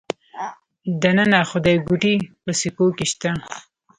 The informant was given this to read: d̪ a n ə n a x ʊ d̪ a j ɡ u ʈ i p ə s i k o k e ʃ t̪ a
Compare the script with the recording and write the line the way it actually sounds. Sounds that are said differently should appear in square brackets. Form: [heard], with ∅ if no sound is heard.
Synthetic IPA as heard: d̪ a n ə n a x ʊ d̪ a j ɡ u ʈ i p ə s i k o k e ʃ t̪ a